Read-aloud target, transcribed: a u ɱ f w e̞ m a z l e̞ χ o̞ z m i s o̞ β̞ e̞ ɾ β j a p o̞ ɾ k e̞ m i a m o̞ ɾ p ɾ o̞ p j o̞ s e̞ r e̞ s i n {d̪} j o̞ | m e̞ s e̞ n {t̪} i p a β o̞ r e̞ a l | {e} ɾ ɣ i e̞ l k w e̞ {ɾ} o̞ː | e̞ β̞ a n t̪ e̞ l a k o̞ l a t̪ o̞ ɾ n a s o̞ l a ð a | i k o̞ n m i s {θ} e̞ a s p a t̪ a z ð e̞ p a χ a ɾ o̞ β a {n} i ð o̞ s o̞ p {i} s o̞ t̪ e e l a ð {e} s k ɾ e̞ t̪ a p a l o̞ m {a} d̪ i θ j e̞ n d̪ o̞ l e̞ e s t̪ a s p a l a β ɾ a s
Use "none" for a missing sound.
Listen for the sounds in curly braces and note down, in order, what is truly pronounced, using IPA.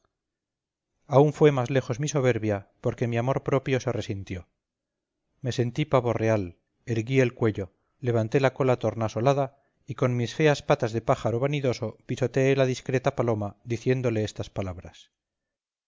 t̪, t̪, e, ʎ, f, n, i, i, a

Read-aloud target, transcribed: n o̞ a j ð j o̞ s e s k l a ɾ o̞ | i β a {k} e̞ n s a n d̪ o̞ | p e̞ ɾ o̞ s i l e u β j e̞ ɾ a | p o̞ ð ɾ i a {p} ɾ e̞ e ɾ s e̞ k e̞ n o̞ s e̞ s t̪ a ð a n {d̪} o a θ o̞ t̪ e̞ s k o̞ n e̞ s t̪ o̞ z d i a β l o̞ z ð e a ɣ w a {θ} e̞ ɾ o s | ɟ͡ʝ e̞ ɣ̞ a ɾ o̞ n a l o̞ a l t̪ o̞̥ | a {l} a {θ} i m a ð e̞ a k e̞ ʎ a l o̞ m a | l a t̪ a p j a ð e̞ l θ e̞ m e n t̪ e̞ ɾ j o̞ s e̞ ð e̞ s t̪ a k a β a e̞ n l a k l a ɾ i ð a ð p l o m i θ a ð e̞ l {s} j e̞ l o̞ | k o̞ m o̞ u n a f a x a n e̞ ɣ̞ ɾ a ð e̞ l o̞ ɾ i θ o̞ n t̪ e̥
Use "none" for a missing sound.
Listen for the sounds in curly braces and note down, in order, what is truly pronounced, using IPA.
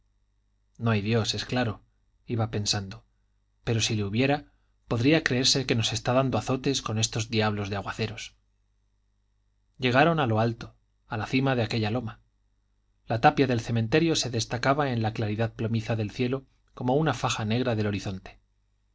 p, k, d̪, θ, l, θ, θ

